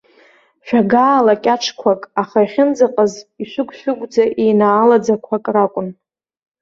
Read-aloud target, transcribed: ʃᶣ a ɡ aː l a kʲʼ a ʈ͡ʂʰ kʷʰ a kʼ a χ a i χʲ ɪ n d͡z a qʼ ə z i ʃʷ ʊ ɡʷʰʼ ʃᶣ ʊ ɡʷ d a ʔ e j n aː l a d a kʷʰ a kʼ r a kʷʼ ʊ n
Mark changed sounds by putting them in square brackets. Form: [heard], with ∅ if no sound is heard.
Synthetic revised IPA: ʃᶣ a ɡ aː l a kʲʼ a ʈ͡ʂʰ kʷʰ a kʼ a χ a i χʲ ɪ n d͡z a qʼ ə z i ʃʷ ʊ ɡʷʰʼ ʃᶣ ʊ ɡʷ [d͡z] a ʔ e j n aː l a [d͡z] a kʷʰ a kʼ r a kʷʼ ʊ n